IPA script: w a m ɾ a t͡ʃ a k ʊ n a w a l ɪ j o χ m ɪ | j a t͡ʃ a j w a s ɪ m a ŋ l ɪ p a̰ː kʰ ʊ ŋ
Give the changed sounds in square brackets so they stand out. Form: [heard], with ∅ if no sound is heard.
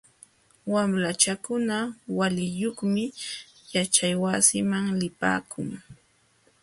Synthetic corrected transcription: w a m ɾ a t͡ʃ a k ʊ n a w a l ɪ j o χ m ɪ | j a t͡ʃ a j w a s ɪ m a ŋ l ɪ p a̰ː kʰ ʊ ŋ